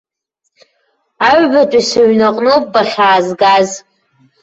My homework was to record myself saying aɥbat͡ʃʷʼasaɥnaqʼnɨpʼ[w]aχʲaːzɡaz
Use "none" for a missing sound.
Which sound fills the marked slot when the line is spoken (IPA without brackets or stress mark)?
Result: b